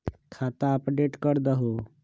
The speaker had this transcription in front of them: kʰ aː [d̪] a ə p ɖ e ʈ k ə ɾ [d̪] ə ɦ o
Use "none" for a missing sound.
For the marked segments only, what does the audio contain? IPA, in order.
t̪, d̪

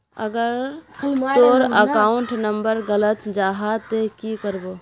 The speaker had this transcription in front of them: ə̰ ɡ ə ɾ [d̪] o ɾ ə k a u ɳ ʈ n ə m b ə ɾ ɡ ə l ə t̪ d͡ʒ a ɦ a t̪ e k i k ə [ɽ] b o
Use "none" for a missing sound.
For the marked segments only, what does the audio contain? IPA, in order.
t̪, ɾ

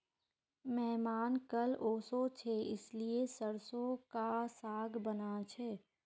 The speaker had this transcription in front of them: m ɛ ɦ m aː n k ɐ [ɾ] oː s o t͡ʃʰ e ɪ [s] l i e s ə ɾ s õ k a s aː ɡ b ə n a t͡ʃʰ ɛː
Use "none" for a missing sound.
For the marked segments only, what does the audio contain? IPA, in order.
l, s

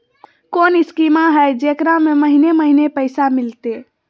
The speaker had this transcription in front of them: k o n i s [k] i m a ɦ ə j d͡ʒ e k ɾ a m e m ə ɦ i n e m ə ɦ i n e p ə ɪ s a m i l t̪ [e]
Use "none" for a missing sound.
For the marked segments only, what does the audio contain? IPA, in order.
k, e

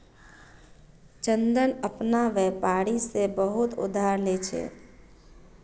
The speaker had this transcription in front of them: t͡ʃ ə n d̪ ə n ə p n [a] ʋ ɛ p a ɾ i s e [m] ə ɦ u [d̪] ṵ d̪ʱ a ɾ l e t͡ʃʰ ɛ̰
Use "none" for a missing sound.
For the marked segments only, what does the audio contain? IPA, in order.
a, b, t̪

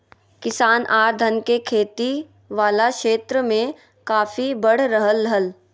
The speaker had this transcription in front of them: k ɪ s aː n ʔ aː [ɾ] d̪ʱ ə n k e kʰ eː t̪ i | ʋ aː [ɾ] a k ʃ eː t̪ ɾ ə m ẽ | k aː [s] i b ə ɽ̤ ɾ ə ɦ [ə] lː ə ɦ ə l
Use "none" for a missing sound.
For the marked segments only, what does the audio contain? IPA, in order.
ɾ, l, f, ə

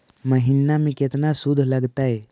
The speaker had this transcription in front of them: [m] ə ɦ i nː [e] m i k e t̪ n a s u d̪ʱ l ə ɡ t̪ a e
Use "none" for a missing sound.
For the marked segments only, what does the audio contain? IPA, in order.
m, a

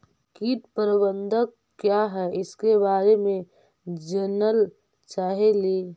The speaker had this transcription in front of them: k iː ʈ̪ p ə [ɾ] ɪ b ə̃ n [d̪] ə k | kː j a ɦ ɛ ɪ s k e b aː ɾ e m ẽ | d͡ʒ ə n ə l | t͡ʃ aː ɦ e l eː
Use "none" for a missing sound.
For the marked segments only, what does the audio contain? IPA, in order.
ɾ, d̪

